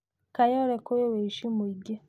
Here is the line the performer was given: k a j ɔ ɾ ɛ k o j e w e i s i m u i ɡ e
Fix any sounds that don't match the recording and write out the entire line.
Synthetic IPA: k a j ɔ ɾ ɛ k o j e w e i ʃ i m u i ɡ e